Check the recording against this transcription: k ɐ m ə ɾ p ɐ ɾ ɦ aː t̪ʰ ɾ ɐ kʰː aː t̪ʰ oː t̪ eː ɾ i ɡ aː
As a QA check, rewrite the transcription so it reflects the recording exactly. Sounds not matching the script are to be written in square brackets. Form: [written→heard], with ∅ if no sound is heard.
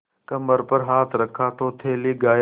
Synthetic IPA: k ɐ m ə ɾ p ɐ ɾ ɦ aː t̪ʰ ɾ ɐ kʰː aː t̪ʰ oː [t̪→t̪ʰ] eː [ɾ→l] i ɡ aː